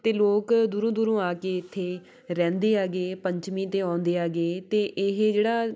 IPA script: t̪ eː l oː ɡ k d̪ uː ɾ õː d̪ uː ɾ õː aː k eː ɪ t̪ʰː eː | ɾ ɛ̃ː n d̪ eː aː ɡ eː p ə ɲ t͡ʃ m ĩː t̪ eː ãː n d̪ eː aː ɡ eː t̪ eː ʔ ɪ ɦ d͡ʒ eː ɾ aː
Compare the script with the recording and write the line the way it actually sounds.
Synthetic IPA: t̪ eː l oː k d̪ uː ɾ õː d̪ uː ɾ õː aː k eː ɪ t̪ʰː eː | ɾ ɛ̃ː n d̪ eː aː ɡ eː p ə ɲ t͡ʃ m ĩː t̪ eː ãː n d̪ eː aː ɡ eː t̪ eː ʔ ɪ ɦ d͡ʒ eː ɽ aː